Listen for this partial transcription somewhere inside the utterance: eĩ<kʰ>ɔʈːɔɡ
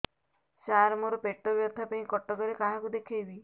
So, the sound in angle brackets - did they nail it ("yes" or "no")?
no